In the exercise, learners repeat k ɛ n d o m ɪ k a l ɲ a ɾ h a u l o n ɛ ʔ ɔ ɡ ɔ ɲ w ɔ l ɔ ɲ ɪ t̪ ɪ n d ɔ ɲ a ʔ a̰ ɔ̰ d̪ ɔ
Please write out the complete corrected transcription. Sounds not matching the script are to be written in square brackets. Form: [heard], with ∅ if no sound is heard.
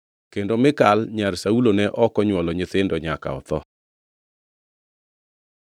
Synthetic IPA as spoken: k [e] n d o m ɪ k a l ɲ a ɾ [s] a u l o n ɛ ʔ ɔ [k] ɔ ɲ w ɔ l ɔ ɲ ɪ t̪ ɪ n d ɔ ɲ a [k] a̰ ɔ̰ [t̪] ɔ